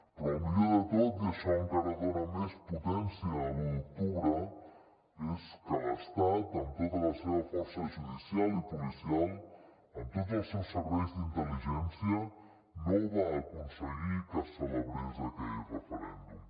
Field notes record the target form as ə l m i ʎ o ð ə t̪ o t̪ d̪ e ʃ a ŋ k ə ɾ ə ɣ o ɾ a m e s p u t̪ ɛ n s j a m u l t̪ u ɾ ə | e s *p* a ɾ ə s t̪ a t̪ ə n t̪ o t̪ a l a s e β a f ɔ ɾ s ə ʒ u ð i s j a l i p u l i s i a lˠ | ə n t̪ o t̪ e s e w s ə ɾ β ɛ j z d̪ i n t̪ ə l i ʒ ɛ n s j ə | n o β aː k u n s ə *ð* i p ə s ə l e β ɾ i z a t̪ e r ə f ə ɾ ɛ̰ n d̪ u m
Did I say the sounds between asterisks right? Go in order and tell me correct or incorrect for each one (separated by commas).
incorrect, incorrect